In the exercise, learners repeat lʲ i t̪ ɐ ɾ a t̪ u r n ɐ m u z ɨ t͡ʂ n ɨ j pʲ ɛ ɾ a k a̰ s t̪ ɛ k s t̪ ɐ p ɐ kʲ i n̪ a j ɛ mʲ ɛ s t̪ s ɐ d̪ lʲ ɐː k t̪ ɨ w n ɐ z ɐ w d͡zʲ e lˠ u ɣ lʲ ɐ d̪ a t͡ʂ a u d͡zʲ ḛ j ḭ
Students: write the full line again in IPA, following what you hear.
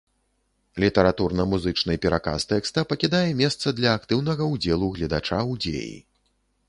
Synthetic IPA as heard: lʲ i t̪ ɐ ɾ a t̪ u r n ɐ m u z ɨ t͡ʂ n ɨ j pʲ ɛ ɾ a k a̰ s t̪ ɛ k s t̪ ɐ p ɐ kʲ i d̪ a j ɛ mʲ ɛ s t̪ s ɐ d̪ lʲ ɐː k t̪ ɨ w n ɐ ɣ ɐ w d͡zʲ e lˠ u ɣ lʲ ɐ d̪ a t͡ʂ a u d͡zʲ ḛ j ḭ